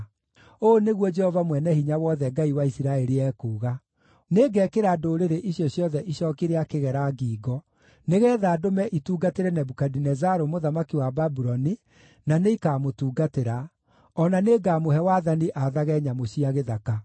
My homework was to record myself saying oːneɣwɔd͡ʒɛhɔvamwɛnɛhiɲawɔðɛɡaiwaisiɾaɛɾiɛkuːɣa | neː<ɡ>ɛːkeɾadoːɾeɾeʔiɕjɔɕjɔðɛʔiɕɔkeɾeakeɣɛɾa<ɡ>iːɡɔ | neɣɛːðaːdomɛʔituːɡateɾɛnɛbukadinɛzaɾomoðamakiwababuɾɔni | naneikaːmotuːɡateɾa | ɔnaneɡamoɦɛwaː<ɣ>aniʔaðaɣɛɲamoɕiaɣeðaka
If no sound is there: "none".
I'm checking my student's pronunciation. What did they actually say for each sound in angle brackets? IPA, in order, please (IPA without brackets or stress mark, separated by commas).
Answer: ɡ, ɡ, ð